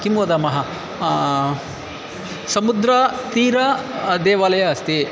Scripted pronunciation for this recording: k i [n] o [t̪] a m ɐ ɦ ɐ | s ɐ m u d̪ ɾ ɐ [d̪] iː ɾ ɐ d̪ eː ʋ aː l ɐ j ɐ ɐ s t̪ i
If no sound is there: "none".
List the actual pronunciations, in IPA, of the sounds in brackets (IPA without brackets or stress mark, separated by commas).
m, d̪, t̪